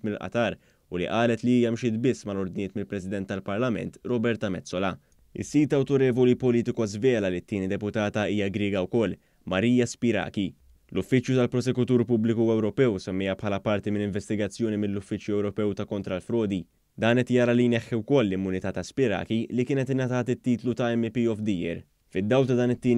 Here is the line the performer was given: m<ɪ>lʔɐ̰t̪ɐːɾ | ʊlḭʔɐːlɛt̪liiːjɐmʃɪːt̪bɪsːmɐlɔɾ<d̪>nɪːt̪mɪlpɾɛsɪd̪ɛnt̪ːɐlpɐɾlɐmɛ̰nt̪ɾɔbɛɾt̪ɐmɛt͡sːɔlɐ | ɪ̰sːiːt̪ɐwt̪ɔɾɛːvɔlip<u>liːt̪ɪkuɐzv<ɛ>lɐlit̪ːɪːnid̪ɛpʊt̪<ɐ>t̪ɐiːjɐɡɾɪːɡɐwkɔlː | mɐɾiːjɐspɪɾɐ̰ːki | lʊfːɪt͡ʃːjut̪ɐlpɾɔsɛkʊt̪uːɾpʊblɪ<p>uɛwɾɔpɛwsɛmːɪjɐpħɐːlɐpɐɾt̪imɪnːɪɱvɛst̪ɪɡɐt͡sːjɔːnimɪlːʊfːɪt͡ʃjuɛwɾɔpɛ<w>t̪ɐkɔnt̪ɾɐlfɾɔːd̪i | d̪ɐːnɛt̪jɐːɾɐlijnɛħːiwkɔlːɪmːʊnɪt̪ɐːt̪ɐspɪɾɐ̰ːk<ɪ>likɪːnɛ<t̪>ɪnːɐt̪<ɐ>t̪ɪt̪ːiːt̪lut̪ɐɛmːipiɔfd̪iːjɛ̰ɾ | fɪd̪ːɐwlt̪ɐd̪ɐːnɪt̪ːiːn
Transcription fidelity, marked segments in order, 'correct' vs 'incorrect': correct, correct, incorrect: ɔ, incorrect: ɛː, incorrect: ɐː, incorrect: k, correct, incorrect: i, correct, incorrect: ɐː

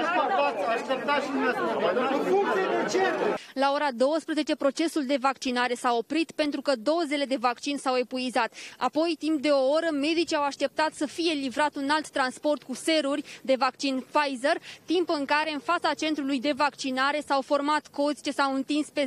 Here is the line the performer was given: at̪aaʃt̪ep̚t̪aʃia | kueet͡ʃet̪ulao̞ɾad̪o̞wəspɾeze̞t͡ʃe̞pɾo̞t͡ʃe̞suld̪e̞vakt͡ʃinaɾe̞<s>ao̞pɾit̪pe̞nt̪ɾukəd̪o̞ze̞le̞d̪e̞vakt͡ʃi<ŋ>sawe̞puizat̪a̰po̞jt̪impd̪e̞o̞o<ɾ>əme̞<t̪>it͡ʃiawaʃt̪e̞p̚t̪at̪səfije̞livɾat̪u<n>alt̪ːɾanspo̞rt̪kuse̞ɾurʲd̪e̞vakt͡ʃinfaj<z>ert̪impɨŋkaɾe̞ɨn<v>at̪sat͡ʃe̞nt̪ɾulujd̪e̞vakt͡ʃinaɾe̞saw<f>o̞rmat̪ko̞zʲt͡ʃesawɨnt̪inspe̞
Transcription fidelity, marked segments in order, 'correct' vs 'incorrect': correct, incorrect: n, correct, incorrect: d̪, correct, correct, incorrect: f, correct

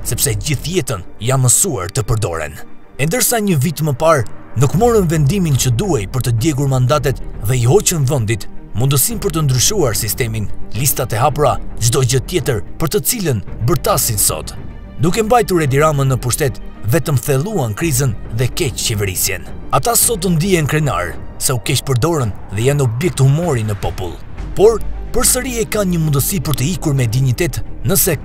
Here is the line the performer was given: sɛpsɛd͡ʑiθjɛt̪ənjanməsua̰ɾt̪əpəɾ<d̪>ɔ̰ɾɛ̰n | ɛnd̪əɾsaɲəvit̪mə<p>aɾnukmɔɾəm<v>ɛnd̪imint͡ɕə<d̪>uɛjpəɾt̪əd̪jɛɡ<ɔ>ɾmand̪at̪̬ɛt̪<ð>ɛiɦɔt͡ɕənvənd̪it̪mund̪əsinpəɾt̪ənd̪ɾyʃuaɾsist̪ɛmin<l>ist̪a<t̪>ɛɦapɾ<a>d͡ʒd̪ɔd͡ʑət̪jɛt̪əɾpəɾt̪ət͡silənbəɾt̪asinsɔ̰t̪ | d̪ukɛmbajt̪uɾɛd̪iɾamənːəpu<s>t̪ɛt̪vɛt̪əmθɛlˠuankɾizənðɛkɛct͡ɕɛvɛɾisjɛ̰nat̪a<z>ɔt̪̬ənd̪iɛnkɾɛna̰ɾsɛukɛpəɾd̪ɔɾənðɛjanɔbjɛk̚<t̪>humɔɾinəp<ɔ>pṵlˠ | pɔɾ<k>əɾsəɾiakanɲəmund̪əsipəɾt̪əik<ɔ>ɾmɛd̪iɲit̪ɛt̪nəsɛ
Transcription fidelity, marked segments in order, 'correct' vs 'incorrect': correct, correct, correct, correct, incorrect: u, correct, correct, correct, correct, incorrect: ʃ, incorrect: s, correct, correct, incorrect: p, incorrect: u

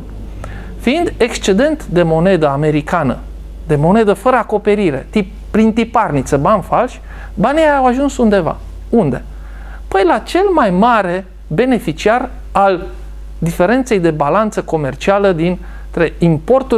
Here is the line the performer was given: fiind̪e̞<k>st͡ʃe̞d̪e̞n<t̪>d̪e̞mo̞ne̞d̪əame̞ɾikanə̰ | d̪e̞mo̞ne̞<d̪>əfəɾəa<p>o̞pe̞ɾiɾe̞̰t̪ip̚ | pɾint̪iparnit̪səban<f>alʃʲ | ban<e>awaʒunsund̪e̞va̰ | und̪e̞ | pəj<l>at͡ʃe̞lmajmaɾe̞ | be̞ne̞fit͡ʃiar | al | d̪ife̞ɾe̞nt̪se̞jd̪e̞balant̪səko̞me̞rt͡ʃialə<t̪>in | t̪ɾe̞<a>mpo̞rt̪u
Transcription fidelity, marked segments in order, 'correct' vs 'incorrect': correct, correct, correct, incorrect: k, correct, incorrect: i, correct, incorrect: d̪, incorrect: i

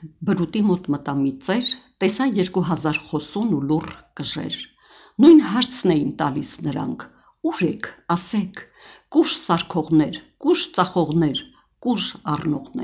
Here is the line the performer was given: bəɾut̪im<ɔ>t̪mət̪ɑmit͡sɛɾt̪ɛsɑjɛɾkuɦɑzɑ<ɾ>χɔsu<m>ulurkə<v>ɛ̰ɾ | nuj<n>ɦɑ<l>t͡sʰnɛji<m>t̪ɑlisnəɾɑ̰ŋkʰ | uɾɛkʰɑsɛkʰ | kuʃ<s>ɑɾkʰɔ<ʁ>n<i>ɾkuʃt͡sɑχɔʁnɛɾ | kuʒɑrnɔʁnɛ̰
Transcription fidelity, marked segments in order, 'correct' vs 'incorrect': correct, correct, incorrect: n, incorrect: ʒ, correct, incorrect: ɾ, incorrect: n, correct, correct, incorrect: ɛ

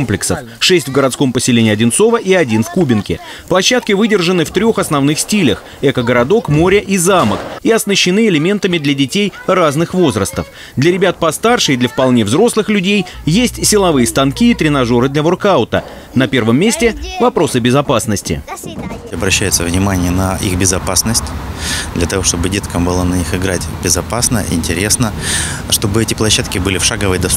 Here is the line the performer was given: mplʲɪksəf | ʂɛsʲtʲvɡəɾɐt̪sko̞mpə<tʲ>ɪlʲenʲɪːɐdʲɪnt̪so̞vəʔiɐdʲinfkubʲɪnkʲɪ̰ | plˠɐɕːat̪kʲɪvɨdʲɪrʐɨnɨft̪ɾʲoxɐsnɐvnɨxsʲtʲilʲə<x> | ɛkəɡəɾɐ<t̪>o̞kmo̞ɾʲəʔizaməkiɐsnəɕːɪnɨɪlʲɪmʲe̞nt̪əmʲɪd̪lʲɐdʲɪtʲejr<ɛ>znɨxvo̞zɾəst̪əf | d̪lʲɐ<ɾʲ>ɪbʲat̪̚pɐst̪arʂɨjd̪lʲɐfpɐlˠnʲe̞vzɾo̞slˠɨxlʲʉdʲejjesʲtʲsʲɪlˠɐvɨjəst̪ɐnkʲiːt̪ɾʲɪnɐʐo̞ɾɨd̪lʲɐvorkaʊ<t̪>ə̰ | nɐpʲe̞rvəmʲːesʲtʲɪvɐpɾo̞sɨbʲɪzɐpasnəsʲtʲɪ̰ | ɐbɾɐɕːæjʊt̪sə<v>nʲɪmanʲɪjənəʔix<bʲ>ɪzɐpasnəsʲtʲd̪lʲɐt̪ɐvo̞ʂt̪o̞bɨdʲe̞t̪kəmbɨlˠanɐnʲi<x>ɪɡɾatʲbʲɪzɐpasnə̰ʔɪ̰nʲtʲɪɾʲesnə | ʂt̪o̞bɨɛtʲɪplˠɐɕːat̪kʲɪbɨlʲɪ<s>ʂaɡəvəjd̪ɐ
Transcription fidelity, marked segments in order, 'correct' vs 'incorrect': incorrect: sʲ, correct, incorrect: d̪, incorrect: a, correct, correct, correct, correct, correct, incorrect: f

